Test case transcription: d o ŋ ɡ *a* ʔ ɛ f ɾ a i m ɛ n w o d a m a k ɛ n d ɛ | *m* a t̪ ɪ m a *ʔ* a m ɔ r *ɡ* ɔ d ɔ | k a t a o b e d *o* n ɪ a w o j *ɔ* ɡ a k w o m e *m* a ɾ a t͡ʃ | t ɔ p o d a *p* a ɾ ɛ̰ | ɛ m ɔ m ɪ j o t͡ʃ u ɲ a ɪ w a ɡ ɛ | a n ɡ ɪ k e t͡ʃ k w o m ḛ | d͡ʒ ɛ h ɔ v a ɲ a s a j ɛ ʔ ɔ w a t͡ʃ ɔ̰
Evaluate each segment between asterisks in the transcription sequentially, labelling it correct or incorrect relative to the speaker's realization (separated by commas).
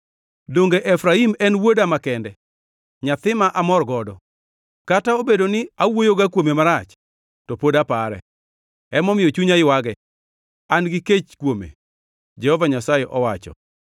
incorrect, incorrect, correct, correct, correct, incorrect, correct, correct